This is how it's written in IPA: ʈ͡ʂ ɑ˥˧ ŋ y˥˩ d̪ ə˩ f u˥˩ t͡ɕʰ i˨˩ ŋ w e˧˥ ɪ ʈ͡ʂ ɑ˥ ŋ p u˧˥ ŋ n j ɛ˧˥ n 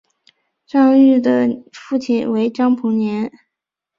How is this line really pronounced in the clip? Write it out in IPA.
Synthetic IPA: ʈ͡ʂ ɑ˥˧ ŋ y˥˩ d̪ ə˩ f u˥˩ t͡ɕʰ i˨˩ n w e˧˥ ɪ ʈ͡ʂ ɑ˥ ŋ pʰ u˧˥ ŋ n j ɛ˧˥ n